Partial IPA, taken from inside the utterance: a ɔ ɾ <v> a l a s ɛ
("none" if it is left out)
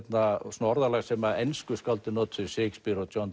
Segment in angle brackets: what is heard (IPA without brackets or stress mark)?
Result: ð